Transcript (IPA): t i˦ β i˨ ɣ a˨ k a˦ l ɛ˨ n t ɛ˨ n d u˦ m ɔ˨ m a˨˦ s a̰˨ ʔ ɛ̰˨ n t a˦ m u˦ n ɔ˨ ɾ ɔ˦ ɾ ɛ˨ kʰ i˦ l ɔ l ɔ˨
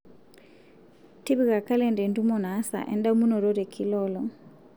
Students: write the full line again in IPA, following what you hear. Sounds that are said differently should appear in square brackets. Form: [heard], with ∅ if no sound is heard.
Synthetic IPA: t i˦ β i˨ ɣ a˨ k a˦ l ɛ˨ n [d] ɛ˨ n d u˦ m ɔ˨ [n] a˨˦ s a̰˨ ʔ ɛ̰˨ n [d] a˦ m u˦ n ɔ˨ ɾ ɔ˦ ɾ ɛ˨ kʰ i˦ l ɔ l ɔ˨